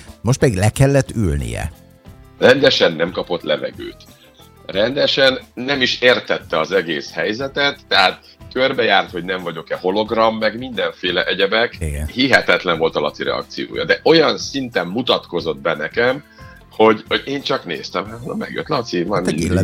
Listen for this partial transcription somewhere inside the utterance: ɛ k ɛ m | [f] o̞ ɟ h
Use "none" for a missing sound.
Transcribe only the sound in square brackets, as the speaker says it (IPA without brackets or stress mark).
h